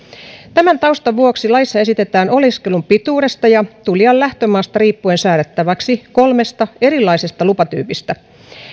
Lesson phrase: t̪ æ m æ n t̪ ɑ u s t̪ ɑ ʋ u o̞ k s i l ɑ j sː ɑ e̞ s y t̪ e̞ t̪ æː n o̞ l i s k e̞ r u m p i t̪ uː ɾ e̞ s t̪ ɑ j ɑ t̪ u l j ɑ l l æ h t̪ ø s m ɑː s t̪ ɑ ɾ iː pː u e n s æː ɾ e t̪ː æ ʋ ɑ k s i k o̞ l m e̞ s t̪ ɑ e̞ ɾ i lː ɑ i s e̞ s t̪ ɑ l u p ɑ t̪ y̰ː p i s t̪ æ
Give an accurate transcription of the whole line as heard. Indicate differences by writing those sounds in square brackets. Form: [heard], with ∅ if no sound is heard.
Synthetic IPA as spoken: t̪ æ m æ n t̪ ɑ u s t̪ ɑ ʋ u o̞ k s i l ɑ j sː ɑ e̞ s [i] t̪ e̞ t̪ æː n o̞ l i s k e̞ [l] u m p i t̪ uː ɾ e̞ s t̪ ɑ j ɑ t̪ u l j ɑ l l æ h t̪ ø [∅] m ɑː s t̪ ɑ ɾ iː pː u e n s æː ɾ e t̪ː æ ʋ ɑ k s i k o̞ l m e̞ s t̪ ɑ e̞ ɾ i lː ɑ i s e̞ s t̪ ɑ l u p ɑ t̪ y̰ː p i s t̪ æ